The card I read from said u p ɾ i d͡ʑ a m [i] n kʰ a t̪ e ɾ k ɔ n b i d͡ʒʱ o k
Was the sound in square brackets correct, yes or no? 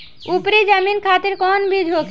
yes